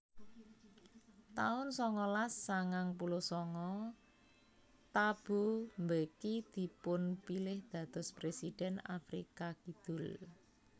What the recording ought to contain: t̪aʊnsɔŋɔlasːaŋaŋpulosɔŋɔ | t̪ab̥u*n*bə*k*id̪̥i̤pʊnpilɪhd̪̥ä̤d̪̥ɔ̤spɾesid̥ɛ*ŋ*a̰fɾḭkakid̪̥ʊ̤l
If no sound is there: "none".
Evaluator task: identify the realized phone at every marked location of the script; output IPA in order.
m, k, n

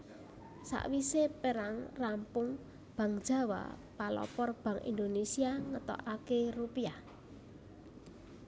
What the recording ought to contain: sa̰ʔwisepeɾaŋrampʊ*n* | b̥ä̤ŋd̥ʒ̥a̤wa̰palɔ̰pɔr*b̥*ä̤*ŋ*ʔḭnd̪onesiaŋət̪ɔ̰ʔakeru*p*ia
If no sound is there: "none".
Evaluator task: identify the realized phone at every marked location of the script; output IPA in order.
ŋ, b̥, ŋ, p

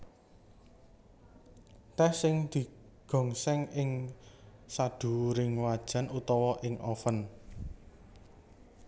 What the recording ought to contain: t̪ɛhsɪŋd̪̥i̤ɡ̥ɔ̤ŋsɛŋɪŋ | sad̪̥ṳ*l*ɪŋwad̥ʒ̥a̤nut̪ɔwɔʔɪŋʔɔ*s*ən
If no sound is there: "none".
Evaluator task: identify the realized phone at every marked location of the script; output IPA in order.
ɾ, f

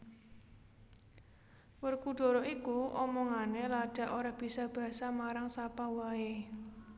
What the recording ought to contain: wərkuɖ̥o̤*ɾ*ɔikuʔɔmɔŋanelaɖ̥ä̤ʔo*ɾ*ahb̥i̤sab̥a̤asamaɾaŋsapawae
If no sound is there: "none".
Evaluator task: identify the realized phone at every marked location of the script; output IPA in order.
ɾ, ɾ

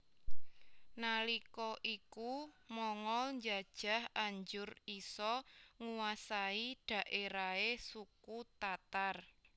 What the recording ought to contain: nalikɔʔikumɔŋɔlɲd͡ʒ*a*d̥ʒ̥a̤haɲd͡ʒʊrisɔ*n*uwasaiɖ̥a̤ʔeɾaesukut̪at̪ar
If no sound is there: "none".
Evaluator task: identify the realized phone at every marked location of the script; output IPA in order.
a, ŋ

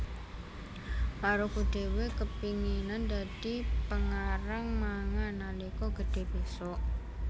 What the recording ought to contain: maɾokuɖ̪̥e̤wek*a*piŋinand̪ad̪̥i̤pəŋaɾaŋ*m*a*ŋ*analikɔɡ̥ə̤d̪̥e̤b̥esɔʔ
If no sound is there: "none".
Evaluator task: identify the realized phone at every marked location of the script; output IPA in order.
ə, m, ŋ

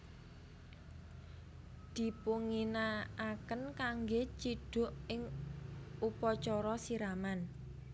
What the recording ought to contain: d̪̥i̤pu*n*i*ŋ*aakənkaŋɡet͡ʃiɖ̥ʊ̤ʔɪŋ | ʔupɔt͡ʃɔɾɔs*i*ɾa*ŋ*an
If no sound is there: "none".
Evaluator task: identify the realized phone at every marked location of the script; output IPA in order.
ŋ, n, i, m

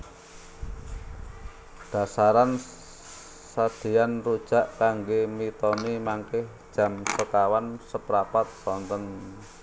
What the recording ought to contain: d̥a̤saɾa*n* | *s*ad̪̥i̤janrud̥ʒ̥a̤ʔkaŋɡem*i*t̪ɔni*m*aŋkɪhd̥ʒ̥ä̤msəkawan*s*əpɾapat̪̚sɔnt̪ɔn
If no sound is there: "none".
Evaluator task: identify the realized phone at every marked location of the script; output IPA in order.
n, s, i, m, s

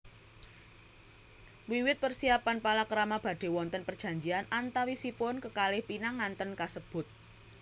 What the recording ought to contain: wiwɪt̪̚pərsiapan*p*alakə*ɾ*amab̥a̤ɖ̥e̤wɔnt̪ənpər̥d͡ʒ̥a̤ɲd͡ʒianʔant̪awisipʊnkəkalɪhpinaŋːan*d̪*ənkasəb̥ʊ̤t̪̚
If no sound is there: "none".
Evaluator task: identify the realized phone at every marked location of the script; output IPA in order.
p, ɾ, t̪

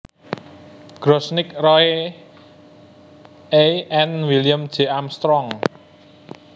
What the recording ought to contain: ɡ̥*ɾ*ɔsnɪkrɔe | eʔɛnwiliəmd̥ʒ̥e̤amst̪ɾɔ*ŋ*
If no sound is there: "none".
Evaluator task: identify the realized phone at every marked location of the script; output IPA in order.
ɾ, ŋ

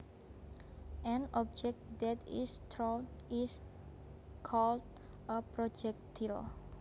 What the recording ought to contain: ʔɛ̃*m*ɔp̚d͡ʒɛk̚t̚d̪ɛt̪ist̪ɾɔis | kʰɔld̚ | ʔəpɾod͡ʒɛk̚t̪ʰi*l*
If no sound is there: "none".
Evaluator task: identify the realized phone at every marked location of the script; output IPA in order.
n, l

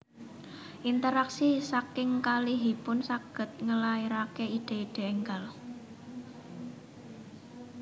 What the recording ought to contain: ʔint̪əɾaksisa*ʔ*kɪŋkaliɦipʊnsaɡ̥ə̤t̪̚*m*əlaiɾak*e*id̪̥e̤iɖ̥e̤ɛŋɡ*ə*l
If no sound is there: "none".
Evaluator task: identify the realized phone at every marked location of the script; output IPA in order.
none, ŋ, e, a

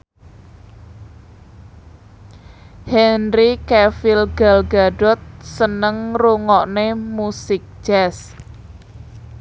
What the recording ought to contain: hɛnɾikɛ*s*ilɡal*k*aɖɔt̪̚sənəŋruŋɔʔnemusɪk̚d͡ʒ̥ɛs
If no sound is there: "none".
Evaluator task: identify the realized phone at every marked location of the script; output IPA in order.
f, ɡ

